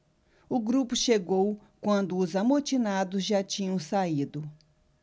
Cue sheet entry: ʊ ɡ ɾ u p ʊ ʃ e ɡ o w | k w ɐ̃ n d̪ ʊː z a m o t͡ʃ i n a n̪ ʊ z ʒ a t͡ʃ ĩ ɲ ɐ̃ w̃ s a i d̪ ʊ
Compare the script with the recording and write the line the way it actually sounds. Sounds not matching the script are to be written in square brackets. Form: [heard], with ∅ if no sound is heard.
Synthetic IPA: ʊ ɡ ɾ u p ʊ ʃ e ɡ o w | k w ɐ̃ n d̪ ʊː z a m o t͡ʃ i n a [d̪] ʊ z ʒ a t͡ʃ ĩ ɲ ɐ̃ w̃ s a i d̪ ʊ